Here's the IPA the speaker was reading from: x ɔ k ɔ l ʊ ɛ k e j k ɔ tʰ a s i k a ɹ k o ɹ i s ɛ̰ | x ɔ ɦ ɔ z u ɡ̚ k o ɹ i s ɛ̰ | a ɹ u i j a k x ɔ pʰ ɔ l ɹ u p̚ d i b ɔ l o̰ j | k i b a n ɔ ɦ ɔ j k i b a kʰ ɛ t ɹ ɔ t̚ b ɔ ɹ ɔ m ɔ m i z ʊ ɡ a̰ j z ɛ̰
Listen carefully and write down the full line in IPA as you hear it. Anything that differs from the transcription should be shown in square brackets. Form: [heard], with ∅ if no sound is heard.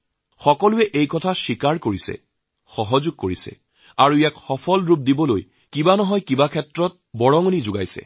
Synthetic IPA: x ɔ k ɔ l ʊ ɛ [ʔ] e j k ɔ tʰ a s i k a ɹ k o ɹ i s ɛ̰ | x ɔ ɦ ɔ z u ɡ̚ k o ɹ i s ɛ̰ | a ɹ u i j a k x ɔ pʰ ɔ l ɹ u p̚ d i b ɔ l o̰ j | k i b a n ɔ ɦ ɔ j k i b a kʰ ɛ t ɹ ɔ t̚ b ɔ ɹ ɔ [ŋ] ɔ [n] i z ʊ ɡ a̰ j [s] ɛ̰